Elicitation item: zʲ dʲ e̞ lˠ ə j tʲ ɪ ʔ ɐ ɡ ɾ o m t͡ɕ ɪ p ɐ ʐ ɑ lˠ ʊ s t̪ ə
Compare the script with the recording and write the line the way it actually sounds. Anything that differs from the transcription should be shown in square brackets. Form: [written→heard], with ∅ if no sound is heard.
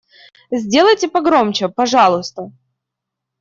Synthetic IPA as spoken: zʲ dʲ e̞ lˠ ə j tʲ ɪ [ʔ→p] ɐ ɡ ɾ o m t͡ɕ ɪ p ɐ ʐ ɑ lˠ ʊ s t̪ ə